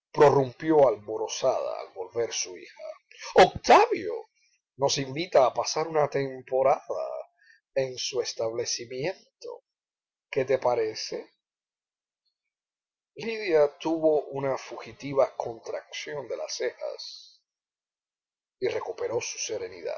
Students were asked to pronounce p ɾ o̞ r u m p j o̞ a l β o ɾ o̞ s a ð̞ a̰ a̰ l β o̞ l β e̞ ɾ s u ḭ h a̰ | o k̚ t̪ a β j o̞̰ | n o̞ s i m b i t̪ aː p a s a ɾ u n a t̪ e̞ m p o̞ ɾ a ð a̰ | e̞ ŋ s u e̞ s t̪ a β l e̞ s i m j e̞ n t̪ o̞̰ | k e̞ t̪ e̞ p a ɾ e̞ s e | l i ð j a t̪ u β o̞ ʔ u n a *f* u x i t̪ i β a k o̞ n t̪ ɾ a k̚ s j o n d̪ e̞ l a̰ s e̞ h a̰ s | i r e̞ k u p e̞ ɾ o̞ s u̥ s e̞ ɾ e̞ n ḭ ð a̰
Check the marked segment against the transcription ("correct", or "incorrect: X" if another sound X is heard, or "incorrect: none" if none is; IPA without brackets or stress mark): correct